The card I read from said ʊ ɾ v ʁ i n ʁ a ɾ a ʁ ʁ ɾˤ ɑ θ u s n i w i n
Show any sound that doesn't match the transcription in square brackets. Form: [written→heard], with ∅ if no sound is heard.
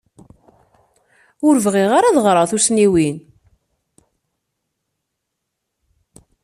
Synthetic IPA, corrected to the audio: ʊ ɾ v ʁ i [n→∅] ʁ a ɾ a [ʁ→ð] ʁ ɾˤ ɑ θ u s n i w i n